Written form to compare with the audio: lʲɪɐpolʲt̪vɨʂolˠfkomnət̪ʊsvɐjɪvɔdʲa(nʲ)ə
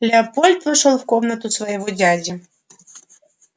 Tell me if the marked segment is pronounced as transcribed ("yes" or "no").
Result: no